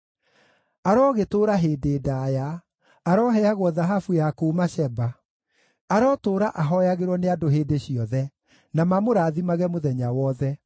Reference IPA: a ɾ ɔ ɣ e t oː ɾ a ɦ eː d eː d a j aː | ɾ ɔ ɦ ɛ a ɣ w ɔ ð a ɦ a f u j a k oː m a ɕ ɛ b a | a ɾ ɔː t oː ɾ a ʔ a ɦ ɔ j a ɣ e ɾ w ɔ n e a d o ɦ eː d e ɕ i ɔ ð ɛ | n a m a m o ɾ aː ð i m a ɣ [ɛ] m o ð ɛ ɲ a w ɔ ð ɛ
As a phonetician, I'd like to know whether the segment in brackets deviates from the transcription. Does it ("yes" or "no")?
no